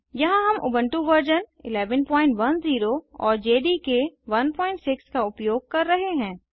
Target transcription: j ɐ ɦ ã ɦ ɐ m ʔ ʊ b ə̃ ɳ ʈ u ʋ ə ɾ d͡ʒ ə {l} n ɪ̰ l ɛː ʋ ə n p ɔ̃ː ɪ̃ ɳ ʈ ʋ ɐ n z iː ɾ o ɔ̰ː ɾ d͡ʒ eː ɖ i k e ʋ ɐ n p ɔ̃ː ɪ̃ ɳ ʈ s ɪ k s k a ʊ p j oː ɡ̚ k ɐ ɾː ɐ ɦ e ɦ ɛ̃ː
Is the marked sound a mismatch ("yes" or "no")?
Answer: yes